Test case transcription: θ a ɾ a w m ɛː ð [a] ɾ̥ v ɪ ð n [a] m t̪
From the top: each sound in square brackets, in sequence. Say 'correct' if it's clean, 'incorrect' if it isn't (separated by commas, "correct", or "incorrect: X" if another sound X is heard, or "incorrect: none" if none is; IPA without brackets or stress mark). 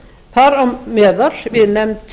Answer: correct, incorrect: ɛ